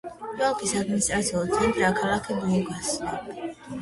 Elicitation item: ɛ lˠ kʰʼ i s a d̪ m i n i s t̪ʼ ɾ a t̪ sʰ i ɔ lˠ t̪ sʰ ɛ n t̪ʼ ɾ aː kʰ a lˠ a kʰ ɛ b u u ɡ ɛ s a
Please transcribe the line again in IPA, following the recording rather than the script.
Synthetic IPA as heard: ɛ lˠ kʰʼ i s a d̪ m i n i s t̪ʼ ɾ a t̪ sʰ i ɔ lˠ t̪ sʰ ɛ n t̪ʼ ɾ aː kʰ a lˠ a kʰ ɛ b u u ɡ a s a